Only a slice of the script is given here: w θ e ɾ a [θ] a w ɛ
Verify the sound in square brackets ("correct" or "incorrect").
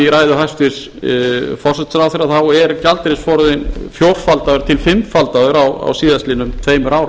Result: correct